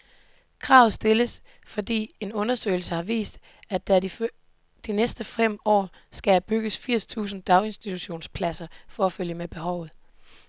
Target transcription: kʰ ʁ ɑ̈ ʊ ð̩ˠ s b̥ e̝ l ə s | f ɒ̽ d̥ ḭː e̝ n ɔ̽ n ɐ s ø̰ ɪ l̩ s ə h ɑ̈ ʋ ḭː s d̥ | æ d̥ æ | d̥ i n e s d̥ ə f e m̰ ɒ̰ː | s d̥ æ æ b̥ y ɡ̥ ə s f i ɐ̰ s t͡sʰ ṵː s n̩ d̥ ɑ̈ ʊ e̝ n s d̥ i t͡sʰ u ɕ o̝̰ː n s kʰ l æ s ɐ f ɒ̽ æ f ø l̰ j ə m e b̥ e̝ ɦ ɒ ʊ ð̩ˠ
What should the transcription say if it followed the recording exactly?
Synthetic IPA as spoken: kʰ ʁ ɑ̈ ʊ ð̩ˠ s d̥ e̝ l ə s | f ɒ̽ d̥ ḭː e̝ n ɔ̽ n ɐ s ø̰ ɪ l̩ s ə h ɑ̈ ʋ ḭː s d̥ | æ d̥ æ | d̥ i n e s d̥ ə f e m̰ ɒ̰ː | s ɡ̥ æ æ b̥ y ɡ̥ ə s f i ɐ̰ s t͡sʰ ṵː s n̩ d̥ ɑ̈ ʊ e̝ n s d̥ i t͡sʰ u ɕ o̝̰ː n s pʰ l æ s ɐ f ɒ̽ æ f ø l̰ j ə m e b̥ e̝ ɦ ɒ ʊ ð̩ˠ